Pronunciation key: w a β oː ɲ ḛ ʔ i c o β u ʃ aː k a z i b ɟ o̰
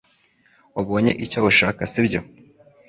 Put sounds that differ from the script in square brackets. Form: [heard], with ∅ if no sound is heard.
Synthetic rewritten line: w a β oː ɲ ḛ ʔ i c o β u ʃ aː k a [s] i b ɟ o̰